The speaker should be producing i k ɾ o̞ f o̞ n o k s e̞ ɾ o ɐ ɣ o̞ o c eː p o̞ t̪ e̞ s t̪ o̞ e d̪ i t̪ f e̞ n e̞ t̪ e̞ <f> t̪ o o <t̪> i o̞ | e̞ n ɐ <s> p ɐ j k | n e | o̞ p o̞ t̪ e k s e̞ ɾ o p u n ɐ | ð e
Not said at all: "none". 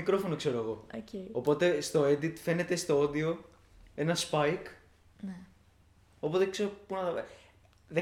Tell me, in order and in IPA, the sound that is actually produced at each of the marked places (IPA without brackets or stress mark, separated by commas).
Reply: s, d̪, s